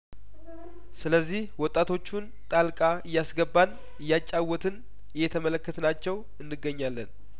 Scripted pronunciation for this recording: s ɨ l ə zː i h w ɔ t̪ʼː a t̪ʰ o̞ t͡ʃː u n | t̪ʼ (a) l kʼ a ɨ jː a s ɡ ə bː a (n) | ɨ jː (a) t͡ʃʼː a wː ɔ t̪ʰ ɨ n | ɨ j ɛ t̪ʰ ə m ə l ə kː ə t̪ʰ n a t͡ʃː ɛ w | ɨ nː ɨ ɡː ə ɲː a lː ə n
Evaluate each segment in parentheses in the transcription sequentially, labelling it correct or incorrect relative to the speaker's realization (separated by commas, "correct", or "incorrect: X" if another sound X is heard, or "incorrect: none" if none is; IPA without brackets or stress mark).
correct, correct, correct